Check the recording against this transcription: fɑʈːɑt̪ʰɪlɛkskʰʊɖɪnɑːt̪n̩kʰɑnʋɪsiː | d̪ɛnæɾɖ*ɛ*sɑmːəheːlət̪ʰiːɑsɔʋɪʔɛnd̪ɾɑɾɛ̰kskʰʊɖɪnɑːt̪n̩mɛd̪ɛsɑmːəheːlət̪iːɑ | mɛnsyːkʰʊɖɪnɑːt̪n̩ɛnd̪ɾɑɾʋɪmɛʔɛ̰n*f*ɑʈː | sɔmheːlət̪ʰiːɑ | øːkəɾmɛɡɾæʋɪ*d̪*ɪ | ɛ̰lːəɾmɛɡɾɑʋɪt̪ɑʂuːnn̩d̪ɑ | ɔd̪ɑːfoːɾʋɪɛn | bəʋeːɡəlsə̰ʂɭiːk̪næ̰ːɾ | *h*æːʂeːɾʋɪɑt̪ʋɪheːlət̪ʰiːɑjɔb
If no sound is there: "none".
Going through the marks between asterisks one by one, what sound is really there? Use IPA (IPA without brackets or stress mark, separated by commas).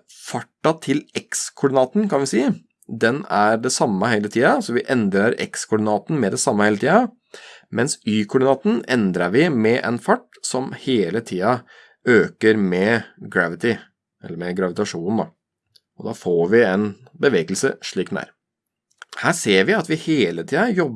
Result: ɛ, f, t̪, h